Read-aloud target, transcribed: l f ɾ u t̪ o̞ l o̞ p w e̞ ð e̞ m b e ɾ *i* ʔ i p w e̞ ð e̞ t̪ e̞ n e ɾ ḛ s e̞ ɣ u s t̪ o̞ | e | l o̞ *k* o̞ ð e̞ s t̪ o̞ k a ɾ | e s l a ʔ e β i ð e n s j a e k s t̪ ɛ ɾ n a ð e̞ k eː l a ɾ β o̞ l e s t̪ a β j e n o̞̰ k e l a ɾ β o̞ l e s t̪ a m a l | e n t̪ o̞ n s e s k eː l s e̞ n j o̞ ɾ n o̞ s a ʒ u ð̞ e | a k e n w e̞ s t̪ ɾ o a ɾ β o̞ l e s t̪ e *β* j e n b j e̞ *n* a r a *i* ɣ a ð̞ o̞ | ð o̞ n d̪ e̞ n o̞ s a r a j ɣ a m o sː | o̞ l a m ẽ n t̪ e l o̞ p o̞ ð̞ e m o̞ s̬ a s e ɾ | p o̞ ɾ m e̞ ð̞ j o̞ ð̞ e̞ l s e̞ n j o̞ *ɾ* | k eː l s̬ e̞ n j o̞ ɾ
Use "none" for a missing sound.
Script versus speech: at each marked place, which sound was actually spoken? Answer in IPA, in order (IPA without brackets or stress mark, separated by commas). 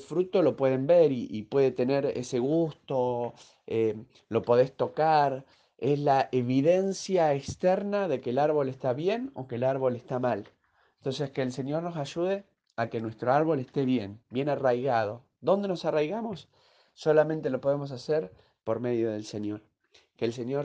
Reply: i, p, β, n, j, ɾ